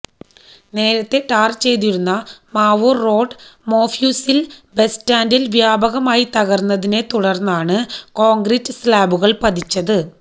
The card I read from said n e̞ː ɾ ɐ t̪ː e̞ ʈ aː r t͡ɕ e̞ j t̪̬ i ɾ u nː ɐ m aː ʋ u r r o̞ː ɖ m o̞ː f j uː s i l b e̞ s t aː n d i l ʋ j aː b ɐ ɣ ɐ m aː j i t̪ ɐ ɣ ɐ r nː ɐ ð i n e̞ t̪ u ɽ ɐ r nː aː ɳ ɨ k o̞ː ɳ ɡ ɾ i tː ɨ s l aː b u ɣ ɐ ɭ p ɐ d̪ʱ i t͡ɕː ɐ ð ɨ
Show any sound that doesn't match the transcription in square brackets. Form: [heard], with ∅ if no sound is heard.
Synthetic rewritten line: n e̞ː ɾ ɐ t̪ː e̞ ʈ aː r t͡ɕ e̞ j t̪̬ i ɾ u nː ɐ m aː ʋ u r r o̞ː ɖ m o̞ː f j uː s i l b e̞ s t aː n d i l ʋ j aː b ɐ ɣ ɐ m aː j i t̪ ɐ ɣ ɐ r nː ɐ ð i n e̞ t̪ u ɽ ɐ r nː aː ɳ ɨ k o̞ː [ŋ] ɡ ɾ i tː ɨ s l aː b u ɣ ɐ ɭ p ɐ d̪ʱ i t͡ɕː ɐ ð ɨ